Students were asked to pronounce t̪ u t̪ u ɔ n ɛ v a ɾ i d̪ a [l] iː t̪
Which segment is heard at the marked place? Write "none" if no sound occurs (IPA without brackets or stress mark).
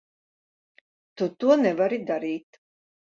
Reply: ɾ